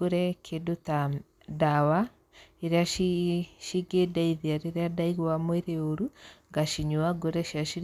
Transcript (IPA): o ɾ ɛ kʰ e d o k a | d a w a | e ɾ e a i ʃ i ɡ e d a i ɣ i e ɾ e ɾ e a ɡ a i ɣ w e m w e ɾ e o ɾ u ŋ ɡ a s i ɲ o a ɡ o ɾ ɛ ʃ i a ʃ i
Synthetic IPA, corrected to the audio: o ɾ ɛ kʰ e d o t a | d a w a | e ɾ e a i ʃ i ɡ e d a i ð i a ɾ e ɾ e a d a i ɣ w a m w e ɾ e o ɾ u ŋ ɡ a ʃ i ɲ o a ɡ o ɾ ɛ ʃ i a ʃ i